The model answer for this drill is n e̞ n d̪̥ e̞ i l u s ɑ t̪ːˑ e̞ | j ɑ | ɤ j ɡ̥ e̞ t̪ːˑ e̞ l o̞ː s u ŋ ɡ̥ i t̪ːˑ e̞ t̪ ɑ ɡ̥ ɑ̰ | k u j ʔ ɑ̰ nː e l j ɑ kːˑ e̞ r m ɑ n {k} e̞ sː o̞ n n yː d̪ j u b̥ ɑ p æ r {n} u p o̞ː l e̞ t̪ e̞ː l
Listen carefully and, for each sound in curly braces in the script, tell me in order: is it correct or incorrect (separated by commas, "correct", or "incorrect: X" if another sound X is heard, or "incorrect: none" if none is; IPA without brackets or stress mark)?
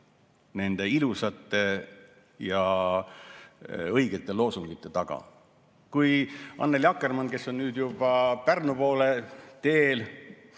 correct, correct